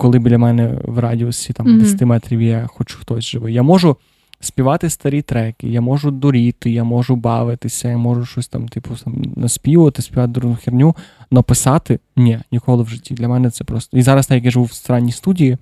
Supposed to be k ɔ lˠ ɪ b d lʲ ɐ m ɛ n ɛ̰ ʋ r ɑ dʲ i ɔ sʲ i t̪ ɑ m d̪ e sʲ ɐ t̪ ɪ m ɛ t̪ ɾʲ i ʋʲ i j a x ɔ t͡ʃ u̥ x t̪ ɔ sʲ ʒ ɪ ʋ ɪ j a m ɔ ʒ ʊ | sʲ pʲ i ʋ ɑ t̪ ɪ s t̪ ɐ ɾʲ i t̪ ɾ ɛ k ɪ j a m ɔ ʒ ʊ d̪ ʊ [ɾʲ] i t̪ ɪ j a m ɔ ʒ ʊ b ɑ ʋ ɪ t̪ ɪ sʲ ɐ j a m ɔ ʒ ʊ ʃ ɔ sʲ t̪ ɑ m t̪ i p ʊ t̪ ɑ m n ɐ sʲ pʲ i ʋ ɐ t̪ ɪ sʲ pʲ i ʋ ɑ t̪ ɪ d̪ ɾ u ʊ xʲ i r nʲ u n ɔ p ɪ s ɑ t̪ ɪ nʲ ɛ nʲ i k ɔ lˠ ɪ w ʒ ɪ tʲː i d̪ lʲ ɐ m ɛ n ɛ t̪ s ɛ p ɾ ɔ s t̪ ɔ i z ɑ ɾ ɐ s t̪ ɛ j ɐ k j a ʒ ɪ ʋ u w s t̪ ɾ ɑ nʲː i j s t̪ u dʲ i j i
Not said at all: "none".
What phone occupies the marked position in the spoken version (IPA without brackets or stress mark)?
ɾʲ